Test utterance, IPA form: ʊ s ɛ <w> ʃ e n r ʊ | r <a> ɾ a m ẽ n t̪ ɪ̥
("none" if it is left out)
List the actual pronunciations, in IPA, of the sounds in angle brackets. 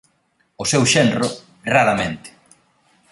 w, a

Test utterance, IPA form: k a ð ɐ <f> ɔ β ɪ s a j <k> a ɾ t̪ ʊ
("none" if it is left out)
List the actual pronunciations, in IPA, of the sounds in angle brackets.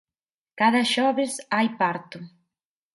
ʃ, p

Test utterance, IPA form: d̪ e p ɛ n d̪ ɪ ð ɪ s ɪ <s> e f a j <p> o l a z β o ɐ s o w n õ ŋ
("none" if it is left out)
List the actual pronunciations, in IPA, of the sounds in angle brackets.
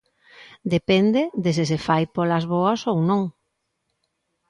s, p

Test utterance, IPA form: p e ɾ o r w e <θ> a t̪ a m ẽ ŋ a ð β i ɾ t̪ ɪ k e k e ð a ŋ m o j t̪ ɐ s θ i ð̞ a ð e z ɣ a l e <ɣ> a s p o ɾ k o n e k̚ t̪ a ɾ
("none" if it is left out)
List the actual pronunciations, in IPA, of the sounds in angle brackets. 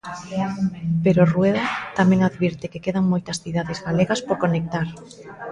ð, ɣ

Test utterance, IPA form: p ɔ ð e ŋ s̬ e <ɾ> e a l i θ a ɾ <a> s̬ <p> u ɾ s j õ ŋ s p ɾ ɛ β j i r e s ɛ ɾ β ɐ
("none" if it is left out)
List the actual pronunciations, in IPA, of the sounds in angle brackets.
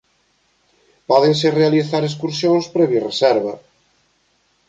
r, e, k

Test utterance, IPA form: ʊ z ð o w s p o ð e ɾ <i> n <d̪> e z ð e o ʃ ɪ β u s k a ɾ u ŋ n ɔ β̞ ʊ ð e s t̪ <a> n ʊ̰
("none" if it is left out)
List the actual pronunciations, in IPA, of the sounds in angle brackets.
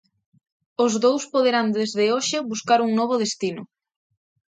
a, d̪, i

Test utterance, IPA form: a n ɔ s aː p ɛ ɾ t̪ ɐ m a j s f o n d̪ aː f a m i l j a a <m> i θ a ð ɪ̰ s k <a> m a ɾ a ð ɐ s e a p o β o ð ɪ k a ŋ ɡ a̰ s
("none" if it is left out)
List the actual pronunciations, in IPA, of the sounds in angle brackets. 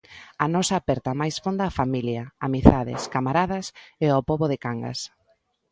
m, a

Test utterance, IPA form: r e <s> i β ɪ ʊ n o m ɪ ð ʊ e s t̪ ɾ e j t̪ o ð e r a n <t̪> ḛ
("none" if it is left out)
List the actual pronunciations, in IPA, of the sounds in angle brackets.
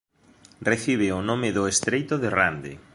θ, d̪

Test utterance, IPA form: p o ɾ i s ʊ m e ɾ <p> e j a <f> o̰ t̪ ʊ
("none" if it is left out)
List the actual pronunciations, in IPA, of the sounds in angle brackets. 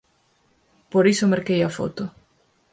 k, f

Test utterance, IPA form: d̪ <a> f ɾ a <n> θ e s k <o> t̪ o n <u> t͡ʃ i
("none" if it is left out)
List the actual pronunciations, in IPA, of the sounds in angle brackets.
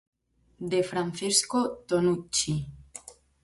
e, n, o, u

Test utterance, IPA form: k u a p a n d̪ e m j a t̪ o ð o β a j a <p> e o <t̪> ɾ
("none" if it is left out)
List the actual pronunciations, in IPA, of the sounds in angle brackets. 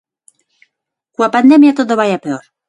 p, none

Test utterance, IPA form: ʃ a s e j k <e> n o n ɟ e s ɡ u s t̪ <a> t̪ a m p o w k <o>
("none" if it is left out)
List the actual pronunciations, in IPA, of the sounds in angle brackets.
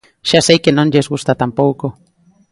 e, a, o

